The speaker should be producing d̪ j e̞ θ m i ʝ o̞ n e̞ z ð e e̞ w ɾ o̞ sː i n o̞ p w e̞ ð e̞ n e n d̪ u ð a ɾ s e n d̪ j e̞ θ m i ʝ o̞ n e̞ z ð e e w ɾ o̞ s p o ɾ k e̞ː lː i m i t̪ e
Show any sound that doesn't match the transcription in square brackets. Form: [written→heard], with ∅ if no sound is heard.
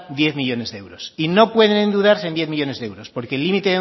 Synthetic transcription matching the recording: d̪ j e̞ θ m i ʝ o̞ n e̞ z ð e e̞ w ɾ o̞ [sː→s] i n o̞ p w e̞ ð e̞ n e n d̪ u ð a ɾ s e n d̪ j e̞ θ m i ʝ o̞ n e̞ z ð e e w ɾ o̞ s p o ɾ k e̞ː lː i m i t̪ e